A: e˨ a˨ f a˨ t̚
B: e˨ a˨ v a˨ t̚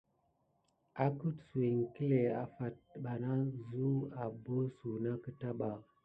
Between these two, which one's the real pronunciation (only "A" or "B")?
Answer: A